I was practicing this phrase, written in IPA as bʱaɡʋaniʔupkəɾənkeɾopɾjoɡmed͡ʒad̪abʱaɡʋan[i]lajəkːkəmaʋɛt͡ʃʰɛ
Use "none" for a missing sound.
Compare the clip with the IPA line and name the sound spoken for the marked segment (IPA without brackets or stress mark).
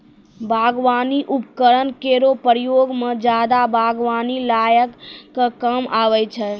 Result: i